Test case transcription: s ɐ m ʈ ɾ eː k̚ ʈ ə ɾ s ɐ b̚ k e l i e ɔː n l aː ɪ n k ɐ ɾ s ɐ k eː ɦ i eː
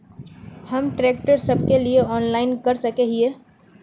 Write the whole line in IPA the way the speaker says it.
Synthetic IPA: h ɐ m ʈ ɾ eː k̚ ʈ ə ɾ s ɐ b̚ k e l i e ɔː n l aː ɪ n k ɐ ɾ s ɐ k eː ɦ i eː